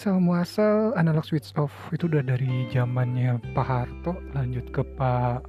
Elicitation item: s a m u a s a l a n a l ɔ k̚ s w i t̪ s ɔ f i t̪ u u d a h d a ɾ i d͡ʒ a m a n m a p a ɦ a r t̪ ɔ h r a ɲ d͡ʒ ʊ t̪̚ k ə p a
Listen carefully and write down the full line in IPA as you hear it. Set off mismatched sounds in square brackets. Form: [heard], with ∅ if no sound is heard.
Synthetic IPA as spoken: s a m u a s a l a n a l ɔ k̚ s w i t̪ s ɔ f i t̪ u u d a h d a ɾ i d͡ʒ a m a n [ɲ] a p a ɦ a r t̪ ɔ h [l] a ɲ d͡ʒ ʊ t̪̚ k ə p a